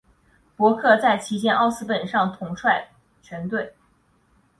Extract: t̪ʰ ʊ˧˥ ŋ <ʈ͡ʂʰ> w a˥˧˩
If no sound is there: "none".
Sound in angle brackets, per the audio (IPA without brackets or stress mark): ʈ͡ʂʰ